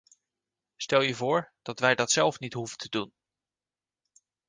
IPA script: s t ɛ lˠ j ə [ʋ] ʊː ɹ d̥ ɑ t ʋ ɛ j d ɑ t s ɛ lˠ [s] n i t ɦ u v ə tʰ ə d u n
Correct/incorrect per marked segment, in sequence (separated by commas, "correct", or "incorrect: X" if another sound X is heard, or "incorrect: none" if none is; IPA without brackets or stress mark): incorrect: v, incorrect: f